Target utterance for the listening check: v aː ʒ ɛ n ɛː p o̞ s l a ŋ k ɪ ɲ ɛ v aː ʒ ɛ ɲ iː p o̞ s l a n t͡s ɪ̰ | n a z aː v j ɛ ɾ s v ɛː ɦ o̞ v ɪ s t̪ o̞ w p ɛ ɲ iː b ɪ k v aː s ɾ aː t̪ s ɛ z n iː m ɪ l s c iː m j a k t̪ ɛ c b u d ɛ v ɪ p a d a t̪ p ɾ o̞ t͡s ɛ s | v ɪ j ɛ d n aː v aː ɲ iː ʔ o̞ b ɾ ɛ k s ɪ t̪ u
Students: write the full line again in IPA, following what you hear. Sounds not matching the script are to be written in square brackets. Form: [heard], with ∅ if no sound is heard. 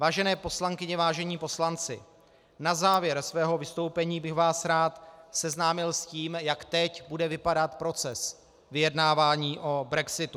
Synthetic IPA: v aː ʒ ɛ n ɛː p o̞ s l a ŋ k ɪ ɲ ɛ v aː ʒ ɛ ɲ iː p o̞ s l a n t͡s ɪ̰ | n a z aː v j ɛ ɾ s v ɛː ɦ o̞ v ɪ s t̪ o̞ w p ɛ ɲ iː b ɪ [x] v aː s ɾ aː t̪ s ɛ z n [aː] m ɪ l s c iː m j a k t̪ ɛ c b u d ɛ v ɪ p a d a t̪ p ɾ o̞ t͡s ɛ s | v ɪ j ɛ d n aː v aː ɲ iː ʔ o̞ b ɾ ɛ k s ɪ t̪ u